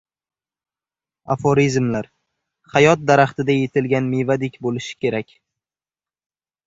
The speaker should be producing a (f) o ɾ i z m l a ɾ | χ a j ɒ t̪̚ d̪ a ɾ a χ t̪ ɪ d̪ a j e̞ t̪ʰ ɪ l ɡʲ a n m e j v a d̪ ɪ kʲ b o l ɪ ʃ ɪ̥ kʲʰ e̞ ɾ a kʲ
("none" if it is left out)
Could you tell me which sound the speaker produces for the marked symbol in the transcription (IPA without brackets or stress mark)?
f